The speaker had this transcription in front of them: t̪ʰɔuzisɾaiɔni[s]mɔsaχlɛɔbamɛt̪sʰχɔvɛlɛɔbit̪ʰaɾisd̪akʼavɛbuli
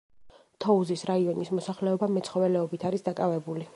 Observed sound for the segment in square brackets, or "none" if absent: s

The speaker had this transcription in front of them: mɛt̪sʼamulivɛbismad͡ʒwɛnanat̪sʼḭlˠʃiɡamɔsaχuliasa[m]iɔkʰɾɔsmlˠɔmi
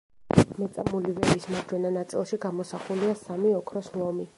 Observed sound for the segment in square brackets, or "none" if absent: m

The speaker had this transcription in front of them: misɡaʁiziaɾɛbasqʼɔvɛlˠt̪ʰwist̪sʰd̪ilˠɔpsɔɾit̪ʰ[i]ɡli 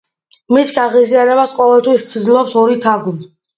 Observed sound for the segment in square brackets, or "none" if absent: a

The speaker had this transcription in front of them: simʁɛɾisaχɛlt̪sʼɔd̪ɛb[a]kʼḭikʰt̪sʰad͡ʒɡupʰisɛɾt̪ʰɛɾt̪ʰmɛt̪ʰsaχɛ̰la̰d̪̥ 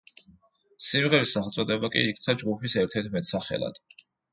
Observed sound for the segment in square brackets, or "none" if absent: a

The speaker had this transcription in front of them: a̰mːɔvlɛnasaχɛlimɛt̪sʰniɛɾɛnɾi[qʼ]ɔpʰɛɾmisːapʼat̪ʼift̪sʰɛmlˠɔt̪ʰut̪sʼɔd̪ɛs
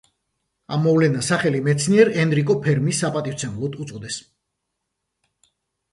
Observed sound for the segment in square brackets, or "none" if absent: kʼ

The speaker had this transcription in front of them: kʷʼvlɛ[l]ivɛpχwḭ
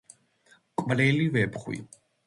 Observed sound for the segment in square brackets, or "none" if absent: l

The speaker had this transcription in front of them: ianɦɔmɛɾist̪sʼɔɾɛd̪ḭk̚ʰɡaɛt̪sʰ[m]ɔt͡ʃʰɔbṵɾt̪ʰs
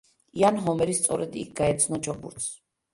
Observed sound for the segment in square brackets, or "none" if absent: n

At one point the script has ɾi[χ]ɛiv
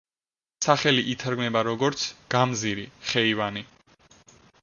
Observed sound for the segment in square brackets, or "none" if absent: χ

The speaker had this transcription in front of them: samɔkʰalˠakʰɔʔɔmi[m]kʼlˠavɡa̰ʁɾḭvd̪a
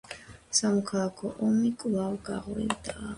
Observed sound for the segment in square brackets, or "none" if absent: none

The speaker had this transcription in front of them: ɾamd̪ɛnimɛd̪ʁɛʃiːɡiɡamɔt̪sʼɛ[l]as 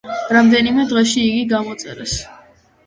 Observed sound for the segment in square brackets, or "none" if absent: ɾ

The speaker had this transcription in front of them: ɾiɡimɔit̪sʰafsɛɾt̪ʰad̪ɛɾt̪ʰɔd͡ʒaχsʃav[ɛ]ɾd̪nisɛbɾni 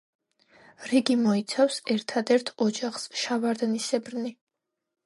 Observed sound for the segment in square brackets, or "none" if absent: a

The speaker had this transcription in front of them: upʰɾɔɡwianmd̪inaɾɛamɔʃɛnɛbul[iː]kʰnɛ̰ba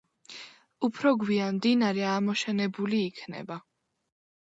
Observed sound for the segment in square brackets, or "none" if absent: iː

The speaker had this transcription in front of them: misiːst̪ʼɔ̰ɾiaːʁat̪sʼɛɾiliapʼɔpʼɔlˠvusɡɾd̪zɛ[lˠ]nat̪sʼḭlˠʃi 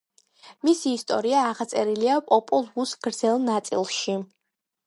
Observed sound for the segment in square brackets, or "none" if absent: lˠ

